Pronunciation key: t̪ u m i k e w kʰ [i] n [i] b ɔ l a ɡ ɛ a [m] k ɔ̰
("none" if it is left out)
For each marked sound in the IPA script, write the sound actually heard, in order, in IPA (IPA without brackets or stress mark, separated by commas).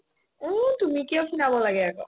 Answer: i, a, none